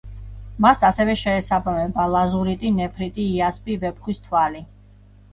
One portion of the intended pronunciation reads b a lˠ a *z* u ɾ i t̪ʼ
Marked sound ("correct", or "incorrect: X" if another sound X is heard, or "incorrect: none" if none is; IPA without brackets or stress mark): correct